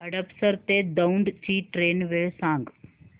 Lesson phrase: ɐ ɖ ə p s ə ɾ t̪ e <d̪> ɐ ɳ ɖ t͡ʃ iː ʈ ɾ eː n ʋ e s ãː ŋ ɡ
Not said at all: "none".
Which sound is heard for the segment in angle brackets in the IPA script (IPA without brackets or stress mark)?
d̪